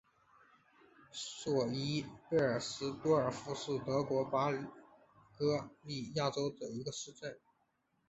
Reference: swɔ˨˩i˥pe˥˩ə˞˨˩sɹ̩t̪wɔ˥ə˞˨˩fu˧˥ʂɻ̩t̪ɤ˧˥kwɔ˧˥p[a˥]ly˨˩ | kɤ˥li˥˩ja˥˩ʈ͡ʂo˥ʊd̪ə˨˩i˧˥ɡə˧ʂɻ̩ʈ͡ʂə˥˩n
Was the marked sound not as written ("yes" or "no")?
no